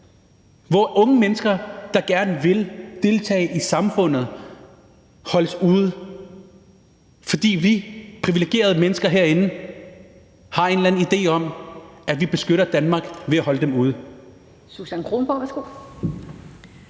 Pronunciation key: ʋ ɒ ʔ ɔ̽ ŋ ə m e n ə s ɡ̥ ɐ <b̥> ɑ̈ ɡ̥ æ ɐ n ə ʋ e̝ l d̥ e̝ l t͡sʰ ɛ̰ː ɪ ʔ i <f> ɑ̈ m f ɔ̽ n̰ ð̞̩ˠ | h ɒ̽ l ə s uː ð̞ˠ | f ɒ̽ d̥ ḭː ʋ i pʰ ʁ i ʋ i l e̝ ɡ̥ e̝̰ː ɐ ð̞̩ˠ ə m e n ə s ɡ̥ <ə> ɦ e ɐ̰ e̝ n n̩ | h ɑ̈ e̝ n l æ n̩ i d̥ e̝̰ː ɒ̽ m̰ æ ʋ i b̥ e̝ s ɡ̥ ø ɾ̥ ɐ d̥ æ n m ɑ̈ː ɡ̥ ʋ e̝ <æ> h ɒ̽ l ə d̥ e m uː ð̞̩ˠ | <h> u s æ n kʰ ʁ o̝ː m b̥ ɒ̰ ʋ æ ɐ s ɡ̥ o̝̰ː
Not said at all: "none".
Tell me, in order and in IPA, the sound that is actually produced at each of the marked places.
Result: d̥, s, ɐ, æ, s

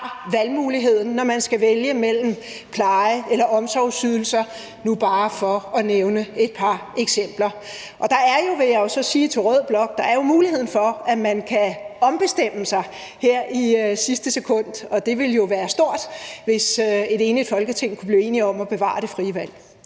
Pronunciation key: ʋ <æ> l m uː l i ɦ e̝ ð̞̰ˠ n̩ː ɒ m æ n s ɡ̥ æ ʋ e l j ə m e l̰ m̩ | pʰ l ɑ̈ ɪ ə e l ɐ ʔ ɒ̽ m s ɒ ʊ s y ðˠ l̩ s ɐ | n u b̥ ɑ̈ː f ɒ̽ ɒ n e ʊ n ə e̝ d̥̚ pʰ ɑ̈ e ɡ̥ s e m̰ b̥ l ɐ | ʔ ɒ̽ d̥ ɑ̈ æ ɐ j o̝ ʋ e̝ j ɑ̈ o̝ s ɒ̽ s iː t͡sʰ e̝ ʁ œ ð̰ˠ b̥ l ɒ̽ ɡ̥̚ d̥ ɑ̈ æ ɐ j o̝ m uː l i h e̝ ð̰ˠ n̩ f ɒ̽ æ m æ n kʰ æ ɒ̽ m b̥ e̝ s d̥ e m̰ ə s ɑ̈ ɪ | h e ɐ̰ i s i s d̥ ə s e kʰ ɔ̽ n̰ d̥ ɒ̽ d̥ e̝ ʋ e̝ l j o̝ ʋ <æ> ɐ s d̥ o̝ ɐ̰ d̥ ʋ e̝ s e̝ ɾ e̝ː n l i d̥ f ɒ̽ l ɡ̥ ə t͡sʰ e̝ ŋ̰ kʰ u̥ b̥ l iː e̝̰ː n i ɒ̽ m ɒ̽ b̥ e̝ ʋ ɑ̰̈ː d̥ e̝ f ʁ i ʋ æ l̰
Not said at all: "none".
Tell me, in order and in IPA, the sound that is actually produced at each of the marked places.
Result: æ, æː

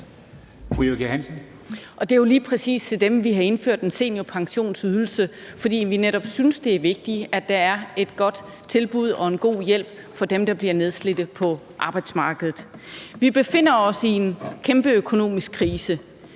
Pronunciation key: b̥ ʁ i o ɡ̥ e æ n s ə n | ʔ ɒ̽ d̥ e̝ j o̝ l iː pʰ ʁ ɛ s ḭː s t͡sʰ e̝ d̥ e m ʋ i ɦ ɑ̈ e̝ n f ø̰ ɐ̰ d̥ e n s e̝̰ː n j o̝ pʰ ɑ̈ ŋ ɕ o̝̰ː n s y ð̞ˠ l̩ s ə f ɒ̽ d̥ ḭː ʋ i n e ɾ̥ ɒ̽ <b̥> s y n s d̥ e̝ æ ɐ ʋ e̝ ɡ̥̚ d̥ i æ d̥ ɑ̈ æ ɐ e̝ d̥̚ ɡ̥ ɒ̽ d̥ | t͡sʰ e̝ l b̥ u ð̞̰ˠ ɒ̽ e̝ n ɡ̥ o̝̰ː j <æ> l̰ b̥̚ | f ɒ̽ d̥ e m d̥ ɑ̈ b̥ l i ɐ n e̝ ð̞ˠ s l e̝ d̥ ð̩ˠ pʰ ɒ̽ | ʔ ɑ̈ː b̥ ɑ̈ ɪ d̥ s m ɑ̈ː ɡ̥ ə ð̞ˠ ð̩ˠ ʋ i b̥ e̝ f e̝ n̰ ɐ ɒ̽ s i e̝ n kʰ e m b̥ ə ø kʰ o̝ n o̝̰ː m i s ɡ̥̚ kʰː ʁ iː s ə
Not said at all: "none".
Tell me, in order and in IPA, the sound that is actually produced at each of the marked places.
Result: b̥, e

